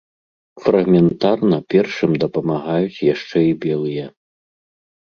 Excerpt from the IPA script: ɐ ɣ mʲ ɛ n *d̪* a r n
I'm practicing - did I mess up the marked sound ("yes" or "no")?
yes